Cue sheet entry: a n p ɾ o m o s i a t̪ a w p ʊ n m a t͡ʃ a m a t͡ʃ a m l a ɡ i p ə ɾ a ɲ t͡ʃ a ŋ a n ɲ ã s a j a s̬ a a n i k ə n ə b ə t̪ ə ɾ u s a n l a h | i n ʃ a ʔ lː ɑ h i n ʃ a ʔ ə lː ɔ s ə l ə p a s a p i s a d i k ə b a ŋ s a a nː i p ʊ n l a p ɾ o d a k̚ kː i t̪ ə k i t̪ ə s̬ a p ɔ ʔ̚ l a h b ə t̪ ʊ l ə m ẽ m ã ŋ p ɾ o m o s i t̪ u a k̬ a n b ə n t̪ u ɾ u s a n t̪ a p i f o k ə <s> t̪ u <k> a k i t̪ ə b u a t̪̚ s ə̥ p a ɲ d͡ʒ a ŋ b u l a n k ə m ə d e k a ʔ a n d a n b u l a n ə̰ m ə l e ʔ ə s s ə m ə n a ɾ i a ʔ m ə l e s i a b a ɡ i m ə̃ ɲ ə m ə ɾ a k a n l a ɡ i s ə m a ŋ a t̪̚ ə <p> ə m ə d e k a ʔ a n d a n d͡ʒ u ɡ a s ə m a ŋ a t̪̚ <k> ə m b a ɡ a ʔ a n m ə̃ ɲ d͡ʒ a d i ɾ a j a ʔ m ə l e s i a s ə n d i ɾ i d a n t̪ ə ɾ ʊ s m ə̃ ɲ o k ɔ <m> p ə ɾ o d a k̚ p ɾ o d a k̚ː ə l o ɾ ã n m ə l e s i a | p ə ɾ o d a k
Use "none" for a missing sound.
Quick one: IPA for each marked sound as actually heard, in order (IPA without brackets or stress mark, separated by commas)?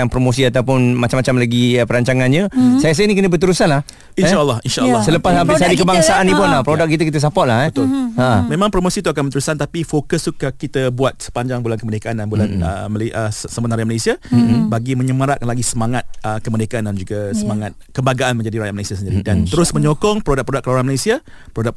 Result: s, k, k, k, ŋ